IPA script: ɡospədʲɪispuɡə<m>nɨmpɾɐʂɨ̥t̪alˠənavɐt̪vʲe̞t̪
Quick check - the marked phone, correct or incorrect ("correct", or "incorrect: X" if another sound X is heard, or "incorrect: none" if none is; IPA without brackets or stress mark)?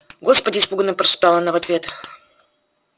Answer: incorrect: none